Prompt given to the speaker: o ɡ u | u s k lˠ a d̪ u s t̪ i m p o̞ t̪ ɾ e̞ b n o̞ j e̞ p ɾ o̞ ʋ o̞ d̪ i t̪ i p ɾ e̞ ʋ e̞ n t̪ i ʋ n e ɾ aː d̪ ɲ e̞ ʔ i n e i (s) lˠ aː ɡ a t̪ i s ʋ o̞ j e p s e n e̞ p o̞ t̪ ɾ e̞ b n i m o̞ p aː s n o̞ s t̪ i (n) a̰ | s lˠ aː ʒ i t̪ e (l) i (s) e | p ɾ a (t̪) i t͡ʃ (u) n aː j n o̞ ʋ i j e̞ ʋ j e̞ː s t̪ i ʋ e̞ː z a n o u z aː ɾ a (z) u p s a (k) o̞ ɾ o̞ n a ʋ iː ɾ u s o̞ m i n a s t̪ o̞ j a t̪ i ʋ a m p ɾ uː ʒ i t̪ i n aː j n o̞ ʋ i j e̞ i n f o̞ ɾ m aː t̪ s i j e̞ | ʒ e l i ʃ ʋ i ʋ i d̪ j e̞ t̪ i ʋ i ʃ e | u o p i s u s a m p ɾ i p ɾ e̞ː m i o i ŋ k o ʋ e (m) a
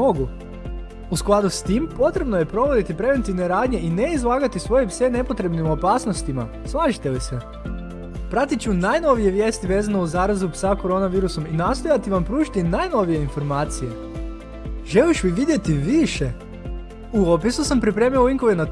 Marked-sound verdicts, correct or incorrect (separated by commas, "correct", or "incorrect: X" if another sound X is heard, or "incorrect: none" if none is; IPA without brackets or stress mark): incorrect: z, incorrect: m, correct, correct, correct, correct, correct, correct, incorrect: n